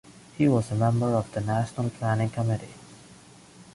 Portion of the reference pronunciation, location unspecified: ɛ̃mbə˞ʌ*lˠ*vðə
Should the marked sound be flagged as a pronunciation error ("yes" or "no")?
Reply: yes